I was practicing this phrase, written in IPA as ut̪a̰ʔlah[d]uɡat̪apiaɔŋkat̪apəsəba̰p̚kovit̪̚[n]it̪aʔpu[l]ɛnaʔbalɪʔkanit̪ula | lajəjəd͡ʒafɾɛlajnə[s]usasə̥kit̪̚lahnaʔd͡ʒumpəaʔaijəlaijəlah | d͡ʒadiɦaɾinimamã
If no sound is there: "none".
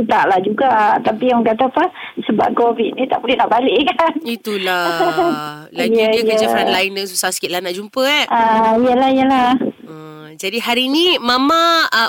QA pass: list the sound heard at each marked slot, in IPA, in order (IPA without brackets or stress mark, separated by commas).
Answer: d͡ʒ, n, l, s